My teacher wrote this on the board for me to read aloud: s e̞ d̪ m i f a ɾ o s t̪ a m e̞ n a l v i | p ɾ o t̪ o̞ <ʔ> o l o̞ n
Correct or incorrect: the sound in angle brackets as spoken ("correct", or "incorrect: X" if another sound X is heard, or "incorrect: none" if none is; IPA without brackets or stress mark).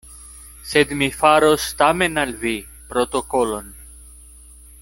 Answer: incorrect: k